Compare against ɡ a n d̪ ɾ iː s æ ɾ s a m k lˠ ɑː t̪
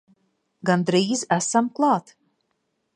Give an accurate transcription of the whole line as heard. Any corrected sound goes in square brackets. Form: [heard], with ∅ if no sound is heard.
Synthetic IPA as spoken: ɡ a n d̪ ɾ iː [z] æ [∅] s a m k lˠ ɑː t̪